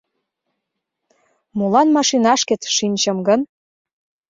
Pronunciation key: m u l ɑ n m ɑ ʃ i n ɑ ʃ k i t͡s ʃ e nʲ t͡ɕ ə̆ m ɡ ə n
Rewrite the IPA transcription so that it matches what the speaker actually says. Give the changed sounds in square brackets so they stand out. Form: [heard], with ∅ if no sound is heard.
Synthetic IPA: m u l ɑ n m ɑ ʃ i n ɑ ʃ k [e] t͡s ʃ [i] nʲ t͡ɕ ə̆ m ɡ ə n